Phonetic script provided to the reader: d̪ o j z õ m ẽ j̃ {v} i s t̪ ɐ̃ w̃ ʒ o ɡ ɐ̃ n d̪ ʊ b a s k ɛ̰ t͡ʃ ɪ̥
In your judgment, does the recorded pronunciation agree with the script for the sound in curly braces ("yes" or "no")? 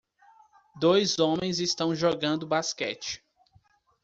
no